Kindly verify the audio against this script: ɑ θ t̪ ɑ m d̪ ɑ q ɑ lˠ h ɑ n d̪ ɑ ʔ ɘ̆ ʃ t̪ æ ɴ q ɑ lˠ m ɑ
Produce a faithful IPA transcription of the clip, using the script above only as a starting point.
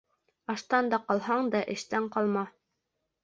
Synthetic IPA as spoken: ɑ ʃ t̪ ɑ n d̪ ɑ q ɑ lˠ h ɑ ɴ d̪ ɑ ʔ ɘ̆ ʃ t̪ æ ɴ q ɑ lˠ m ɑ